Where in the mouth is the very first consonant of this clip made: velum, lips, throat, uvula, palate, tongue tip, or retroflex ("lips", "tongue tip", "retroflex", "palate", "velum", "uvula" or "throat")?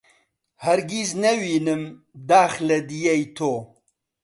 throat